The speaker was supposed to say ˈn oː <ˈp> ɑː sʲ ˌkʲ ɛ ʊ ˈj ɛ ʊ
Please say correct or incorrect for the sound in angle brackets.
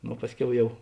correct